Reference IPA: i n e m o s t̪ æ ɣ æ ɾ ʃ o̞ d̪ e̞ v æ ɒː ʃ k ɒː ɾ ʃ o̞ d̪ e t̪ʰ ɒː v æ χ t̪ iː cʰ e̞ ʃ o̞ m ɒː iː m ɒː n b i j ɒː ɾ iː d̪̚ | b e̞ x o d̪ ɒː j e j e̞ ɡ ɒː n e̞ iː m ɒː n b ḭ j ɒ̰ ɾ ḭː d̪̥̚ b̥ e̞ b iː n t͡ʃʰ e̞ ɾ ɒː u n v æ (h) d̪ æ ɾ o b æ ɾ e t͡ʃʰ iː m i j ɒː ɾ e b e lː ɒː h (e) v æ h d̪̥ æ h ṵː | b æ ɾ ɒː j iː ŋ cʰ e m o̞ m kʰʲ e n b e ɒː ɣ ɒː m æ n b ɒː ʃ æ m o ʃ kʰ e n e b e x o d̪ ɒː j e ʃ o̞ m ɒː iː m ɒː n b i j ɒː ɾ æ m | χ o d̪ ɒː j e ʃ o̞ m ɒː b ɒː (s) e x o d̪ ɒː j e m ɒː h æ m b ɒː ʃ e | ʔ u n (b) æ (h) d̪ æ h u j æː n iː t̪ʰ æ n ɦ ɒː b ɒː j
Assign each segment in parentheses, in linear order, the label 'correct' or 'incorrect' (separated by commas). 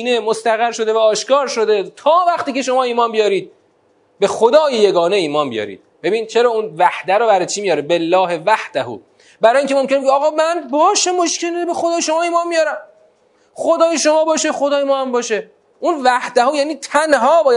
correct, correct, incorrect, incorrect, correct